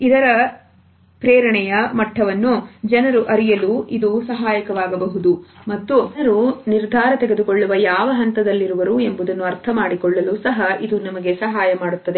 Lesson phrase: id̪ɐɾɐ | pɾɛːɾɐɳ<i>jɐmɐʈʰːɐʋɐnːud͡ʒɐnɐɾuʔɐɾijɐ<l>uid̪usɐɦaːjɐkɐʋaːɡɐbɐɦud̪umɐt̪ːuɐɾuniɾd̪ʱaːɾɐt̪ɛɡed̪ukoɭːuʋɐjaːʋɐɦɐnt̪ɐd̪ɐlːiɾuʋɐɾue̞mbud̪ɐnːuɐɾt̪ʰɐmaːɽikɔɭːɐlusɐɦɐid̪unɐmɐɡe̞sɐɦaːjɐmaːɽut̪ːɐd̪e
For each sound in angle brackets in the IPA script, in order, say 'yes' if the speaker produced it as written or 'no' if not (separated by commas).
no, yes